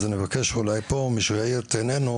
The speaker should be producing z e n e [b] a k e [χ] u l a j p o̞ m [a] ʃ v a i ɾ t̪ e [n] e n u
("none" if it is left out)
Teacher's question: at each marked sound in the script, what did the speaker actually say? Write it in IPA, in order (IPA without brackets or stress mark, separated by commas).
v, ʃ, i, n